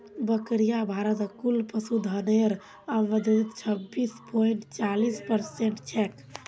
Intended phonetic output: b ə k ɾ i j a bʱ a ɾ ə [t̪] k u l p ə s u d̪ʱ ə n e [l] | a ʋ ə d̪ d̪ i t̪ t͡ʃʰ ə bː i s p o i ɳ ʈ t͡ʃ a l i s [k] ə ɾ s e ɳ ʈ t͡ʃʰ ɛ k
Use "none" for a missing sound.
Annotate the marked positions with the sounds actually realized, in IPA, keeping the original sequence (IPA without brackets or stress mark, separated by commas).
t̪, ɾ, p